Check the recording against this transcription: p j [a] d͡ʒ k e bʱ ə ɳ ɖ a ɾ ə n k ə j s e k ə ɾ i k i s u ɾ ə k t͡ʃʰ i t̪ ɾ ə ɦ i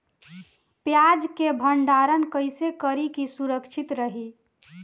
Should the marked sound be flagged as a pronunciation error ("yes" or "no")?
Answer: no